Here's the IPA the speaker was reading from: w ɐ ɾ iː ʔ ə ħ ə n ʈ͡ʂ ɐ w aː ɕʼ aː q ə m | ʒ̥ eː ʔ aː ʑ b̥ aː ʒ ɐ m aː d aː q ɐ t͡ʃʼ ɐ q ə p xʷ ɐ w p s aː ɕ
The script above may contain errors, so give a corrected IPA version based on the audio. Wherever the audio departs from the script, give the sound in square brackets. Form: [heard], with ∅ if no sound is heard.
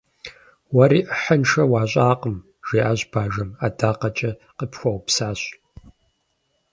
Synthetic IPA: w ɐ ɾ iː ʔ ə ħ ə n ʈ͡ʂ ɐ w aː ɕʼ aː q ə m | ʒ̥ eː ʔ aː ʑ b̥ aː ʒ ɐ m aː d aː q ɐ t͡ʃʼ ɐ q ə p xʷ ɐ w p s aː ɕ